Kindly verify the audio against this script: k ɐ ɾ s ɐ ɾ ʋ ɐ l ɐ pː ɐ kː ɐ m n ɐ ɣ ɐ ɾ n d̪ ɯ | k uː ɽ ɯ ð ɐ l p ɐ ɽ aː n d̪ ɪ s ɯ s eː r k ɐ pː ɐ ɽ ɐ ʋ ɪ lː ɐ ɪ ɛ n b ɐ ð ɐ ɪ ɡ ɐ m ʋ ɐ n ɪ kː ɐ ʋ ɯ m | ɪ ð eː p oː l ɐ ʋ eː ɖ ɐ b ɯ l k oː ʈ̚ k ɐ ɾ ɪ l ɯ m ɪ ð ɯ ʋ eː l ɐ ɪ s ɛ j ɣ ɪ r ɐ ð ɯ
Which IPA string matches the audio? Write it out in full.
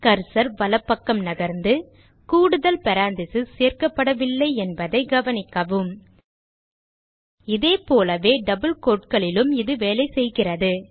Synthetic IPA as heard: k ɐ ɾ s ɐ ɾ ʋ ɐ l ɐ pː ɐ kː ɐ m n ɐ ɣ ɐ ɾ n d̪ ɯ | k uː ɽ ɯ ð ɐ l p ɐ ɾ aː n d̪ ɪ s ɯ s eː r k ɐ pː ɐ ɽ ɐ ʋ ɪ lː ɐ ɪ ɛ n b ɐ ð ɐ ɪ ɡ ɐ ʋ ɐ n ɪ kː ɐ ʋ ɯ m | ɪ ð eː p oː l ɐ ʋ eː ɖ ɐ b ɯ l k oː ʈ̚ k ɐ ɭ ɪ l ɯ m ɪ ð ɯ ʋ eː l ɐ ɪ s ɛ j ɣ ɪ r ɐ ð ɯ